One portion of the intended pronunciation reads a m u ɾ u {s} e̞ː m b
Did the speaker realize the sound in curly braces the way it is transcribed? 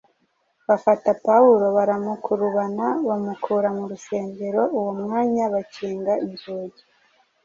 yes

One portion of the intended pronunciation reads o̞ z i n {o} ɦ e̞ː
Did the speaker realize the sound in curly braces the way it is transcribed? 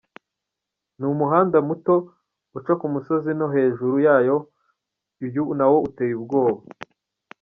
yes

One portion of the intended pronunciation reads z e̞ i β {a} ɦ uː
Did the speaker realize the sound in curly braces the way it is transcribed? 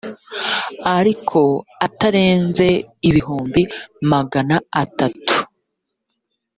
no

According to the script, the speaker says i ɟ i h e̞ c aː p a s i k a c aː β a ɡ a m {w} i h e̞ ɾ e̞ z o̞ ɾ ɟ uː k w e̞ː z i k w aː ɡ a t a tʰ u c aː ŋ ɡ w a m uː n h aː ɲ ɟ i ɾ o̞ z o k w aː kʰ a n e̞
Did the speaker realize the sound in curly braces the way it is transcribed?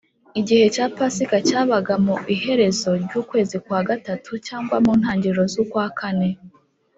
no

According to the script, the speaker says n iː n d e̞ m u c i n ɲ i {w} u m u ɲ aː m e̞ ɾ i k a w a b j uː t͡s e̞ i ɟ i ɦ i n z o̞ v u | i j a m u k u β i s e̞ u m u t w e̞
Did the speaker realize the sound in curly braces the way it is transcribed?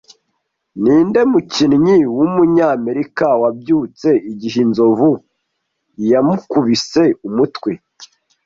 yes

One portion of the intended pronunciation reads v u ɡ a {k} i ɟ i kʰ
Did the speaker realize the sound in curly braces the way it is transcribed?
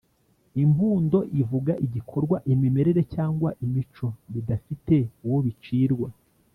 no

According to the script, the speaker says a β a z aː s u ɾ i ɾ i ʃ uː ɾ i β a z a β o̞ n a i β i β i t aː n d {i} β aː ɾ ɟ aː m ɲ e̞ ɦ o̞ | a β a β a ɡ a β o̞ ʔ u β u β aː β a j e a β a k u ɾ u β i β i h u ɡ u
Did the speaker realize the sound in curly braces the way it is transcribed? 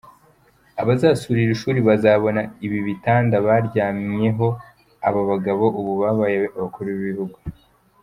no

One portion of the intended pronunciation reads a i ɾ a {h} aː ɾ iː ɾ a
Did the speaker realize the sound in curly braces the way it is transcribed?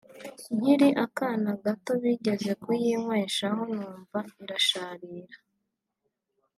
no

